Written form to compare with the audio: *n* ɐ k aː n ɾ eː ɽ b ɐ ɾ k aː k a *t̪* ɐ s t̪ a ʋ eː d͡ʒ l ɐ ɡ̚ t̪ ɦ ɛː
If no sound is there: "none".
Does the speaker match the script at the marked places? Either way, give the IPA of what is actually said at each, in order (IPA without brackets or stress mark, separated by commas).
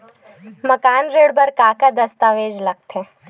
m, d̪